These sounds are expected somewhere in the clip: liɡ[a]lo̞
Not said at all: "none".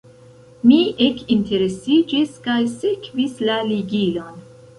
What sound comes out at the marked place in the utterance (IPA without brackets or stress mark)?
i